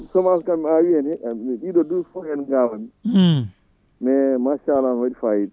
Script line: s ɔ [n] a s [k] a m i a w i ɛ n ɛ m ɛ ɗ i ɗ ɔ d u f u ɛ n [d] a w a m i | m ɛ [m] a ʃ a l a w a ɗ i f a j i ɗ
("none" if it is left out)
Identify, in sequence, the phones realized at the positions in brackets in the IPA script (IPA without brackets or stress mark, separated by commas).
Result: m, k, ɡ, m